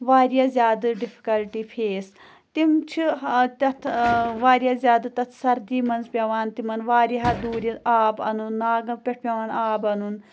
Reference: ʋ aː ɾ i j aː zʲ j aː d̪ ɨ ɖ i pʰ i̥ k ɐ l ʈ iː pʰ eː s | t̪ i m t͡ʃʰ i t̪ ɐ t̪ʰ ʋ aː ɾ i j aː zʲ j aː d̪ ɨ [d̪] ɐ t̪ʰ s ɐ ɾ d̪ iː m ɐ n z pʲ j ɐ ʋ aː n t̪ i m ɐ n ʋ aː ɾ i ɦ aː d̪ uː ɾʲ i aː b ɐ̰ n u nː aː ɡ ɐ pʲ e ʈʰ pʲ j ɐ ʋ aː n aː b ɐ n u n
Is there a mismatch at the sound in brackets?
yes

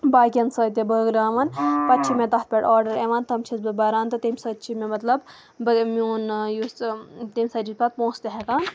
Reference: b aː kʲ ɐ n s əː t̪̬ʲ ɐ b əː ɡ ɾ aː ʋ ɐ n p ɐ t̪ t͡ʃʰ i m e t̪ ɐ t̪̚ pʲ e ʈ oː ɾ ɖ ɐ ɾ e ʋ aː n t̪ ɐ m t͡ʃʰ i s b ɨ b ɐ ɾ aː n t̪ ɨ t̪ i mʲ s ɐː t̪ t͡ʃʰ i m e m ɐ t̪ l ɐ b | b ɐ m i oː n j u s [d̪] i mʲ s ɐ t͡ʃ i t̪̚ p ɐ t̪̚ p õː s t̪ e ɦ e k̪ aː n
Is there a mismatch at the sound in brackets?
yes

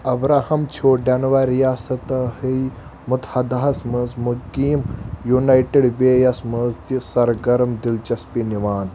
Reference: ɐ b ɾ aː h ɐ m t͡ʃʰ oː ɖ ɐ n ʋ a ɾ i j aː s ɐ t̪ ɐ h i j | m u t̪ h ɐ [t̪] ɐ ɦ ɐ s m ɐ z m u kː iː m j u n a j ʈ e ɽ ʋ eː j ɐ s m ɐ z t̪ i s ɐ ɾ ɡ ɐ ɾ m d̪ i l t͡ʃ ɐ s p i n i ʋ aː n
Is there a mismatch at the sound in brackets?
yes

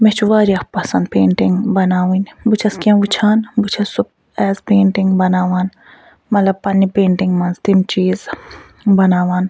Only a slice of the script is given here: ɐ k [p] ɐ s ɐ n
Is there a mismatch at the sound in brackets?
no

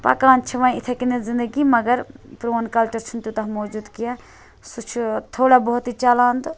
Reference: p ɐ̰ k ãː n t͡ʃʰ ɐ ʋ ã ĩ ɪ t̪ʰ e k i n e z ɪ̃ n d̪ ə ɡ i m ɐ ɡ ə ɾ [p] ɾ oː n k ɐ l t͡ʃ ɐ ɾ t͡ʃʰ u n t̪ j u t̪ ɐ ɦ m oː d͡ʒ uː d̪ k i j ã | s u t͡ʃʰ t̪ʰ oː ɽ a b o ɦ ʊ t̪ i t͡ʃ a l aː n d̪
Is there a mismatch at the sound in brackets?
no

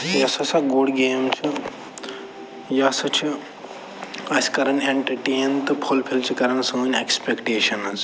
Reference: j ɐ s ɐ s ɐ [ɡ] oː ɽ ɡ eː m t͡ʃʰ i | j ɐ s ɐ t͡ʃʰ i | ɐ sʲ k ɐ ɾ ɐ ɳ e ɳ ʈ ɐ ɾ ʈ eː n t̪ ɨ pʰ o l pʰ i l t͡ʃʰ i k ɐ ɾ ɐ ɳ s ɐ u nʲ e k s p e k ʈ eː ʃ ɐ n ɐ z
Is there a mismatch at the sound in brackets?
no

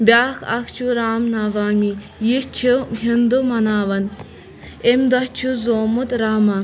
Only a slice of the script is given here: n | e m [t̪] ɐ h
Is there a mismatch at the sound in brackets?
yes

